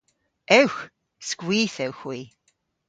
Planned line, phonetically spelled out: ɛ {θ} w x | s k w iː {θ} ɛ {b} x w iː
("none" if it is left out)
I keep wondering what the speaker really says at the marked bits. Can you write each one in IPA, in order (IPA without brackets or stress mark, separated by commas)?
none, θ, w